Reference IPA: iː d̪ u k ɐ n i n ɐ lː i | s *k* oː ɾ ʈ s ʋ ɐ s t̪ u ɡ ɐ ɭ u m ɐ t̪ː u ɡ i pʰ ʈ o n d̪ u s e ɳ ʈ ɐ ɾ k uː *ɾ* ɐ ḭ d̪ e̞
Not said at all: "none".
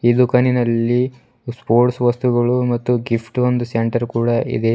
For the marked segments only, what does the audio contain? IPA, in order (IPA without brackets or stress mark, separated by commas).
p, ɽ